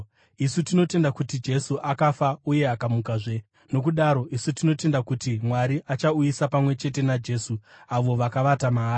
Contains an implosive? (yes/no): yes